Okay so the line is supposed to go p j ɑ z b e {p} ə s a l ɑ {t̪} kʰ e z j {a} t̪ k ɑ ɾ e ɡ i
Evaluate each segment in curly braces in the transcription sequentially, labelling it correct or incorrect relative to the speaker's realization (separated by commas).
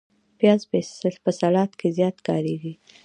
correct, correct, incorrect